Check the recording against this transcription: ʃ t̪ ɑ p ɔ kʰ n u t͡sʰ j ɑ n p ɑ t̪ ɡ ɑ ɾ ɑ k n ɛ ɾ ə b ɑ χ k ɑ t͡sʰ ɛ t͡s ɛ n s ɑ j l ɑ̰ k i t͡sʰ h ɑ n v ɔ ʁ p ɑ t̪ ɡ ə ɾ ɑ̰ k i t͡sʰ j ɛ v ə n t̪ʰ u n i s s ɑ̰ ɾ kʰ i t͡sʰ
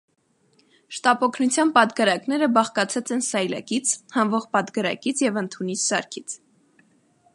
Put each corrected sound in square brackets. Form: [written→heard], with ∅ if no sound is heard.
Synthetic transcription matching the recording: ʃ t̪ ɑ p ɔ kʰ n u t͡sʰ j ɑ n p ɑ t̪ ɡ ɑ ɾ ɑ k n ɛ ɾ ə b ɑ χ k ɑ t͡sʰ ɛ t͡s ɛ n s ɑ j l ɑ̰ k i t͡sʰ h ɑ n v ɔ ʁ p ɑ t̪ ɡ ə ɾ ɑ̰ k i t͡sʰ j ɛ v ə n t̪ʰ u n i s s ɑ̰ ɾ kʰ i t͡sʰ